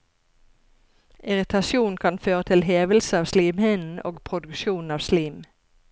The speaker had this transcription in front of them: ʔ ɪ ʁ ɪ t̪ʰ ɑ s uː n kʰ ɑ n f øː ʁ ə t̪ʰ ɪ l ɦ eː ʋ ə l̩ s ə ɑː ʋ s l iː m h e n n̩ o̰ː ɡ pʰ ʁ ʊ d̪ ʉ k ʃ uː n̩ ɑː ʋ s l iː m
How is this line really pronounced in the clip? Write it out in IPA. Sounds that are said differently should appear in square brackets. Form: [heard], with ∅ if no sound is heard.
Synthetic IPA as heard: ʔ ɪ ʁ ɪ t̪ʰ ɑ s uː n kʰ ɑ n f øː ʁ ə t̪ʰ ɪ l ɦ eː ʋ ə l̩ s ə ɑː ʋ s l iː m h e n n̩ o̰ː ɡ pʰ ʁ ʊ d̪ ʉ k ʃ uː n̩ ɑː ʋ s l iː m

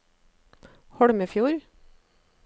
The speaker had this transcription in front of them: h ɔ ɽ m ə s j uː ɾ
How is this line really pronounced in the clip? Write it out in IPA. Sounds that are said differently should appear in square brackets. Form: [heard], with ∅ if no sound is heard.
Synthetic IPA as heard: h ɔ ɽ m ə [f] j uː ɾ

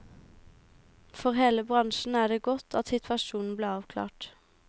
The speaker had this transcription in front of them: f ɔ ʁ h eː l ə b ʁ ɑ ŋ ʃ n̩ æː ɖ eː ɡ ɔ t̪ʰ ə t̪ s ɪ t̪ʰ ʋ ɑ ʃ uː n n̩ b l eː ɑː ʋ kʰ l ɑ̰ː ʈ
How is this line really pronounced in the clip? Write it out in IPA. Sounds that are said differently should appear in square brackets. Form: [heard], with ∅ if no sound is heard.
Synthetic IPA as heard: f ɔ ʁ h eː l ə b ʁ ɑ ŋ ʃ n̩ æː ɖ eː ɡ ɔ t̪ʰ [ɑ] t̪ s ɪ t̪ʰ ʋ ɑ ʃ uː n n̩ b l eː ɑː ʋ kʰ l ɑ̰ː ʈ

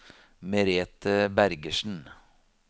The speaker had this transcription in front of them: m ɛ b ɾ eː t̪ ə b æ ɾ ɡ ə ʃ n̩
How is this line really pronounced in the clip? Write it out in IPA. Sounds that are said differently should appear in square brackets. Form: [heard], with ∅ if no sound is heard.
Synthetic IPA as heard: m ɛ [∅] ɾ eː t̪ ə b æ ɾ ɡ ə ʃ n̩

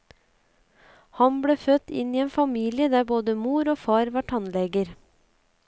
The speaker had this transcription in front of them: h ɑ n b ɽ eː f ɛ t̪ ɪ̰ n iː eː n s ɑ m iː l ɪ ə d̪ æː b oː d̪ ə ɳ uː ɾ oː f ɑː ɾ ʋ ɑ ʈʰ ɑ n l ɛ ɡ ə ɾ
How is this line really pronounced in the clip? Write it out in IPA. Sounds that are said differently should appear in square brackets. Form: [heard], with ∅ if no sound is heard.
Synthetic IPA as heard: h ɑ n b ɽ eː f [œ] t̪ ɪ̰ n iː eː n [f] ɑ m iː l ɪ ə d̪ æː b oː d̪ ə [m] uː ɾ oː f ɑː ɾ ʋ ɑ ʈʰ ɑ n l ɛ ɡ ə ɾ

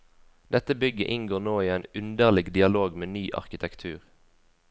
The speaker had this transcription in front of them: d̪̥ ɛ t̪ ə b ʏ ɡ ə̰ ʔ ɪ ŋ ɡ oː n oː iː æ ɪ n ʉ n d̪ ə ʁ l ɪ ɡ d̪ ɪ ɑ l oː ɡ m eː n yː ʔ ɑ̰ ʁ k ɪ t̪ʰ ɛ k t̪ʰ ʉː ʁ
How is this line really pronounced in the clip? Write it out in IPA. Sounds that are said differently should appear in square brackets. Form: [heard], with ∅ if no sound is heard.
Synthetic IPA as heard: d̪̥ ɛ t̪ ə b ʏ ɡ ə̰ ʔ ɪ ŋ ɡ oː n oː iː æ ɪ n ʉ n d̪ ə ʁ l ɪ ɡ d̪ ɪ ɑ l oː ɡ m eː n yː ʔ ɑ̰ ʁ k ɪ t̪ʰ ɛ k t̪ʰ ʉː ʁ

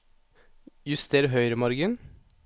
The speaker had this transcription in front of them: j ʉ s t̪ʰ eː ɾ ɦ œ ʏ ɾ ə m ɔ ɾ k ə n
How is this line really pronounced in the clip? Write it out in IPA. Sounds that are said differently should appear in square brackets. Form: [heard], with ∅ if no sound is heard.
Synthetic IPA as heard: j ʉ s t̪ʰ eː ɾ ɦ œ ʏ ɾ ə m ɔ ɾ [ɡ] ə n

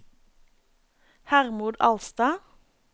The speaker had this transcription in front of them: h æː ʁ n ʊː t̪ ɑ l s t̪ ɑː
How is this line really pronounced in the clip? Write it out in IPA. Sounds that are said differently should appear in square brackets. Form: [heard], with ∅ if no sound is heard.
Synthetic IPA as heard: h [æ] ʁ [m] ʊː [d̪] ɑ l s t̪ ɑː

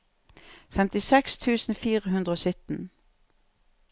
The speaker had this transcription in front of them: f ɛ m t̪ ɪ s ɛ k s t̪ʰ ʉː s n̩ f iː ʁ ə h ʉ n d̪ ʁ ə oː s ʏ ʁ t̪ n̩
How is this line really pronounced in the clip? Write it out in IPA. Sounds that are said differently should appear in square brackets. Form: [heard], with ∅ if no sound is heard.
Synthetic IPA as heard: f ɛ m t̪ ɪ s ɛ k s t̪ʰ ʉː s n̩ f iː ʁ ə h ʉ n d̪ ʁ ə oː s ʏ [∅] t̪ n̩

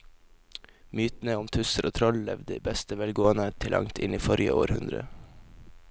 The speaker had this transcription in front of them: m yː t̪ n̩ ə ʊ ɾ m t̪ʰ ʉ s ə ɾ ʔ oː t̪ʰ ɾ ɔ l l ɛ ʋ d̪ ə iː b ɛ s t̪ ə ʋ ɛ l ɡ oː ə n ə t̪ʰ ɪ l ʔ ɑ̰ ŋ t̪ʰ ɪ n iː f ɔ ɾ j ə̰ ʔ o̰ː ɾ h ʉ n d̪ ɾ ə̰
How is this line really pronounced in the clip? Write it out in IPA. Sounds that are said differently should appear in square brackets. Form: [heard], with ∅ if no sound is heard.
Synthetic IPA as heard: m yː t̪ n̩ ə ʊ [∅] m t̪ʰ ʉ s ə ɾ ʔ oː t̪ʰ ɾ ɔ l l ɛ ʋ d̪ ə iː b ɛ s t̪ ə ʋ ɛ l ɡ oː ə n ə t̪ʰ ɪ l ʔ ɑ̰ ŋ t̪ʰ ɪ n iː f ɔ ɾ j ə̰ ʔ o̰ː ɾ h ʉ n d̪ ɾ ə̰

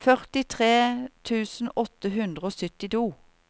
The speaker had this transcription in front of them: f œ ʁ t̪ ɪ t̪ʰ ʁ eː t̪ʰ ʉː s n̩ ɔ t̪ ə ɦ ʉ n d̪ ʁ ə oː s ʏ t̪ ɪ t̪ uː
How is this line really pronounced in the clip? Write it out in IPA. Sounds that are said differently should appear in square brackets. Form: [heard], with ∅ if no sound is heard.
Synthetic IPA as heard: f œ ʁ t̪ ɪ t̪ʰ ʁ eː t̪ʰ ʉː s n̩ ɔ t̪ ə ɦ ʉ n d̪ ʁ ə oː s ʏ t̪ ɪ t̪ uː

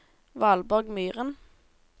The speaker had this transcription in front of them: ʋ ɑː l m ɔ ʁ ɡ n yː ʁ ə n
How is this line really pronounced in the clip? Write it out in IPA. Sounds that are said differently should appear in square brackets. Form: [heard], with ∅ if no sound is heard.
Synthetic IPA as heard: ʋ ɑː l [b] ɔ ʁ ɡ [m] yː ʁ ə n

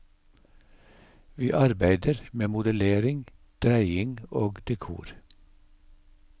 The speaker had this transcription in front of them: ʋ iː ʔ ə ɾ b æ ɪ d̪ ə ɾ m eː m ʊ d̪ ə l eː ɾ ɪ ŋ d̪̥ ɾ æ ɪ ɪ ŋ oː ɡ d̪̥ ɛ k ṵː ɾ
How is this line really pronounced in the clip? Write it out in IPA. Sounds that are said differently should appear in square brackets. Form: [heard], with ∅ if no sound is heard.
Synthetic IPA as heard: ʋ iː ʔ [ɑ] ɾ b æ ɪ d̪ ə ɾ m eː m ʊ d̪ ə l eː ɾ ɪ ŋ d̪̥ ɾ æ ɪ ɪ ŋ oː ɡ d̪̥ ɛ [kʰ] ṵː ɾ

